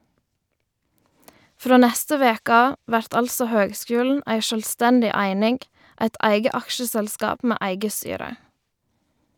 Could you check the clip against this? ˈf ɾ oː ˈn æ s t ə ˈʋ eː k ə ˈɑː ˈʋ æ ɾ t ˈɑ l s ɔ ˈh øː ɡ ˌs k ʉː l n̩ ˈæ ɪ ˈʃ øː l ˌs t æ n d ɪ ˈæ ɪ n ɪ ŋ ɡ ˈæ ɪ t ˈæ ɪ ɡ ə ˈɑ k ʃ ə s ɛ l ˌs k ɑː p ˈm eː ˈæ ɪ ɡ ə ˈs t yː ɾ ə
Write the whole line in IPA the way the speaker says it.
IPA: ˈf ɾ oː ˈn æ s t ə ˈʋ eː k ə ˈɑː ˈʋ æ ɾ t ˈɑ l s ɔ ˈh øː ɡ ˌs k ʉː l n̩ ˈæ ɪ ˈʃ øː l ˌs t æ n d ɪ ˈæ ɪ n ɪ ŋ ɡ ˈæ ɪ t ˈæ ɪ ɡ ə ˈɑ k ʃ ə s ɛ l ˌs k ɑː p ˈm eː ˈæ ɪ ɡ ə ˈs t yː ɾ ə